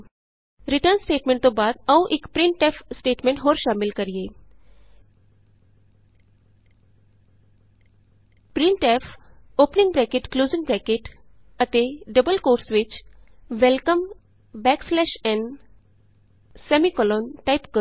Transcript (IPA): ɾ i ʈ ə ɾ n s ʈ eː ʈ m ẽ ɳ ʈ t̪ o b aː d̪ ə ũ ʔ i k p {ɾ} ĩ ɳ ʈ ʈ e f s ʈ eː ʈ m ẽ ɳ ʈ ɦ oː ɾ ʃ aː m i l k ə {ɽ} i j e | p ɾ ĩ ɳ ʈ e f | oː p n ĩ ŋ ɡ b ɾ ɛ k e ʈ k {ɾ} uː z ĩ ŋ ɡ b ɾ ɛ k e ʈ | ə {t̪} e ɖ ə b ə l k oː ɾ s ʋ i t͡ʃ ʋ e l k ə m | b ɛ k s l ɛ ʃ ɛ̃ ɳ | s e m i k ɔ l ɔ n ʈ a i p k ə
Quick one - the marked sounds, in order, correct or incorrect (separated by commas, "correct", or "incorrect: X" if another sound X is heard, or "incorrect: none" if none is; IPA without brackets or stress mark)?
correct, incorrect: ɾ, incorrect: l, correct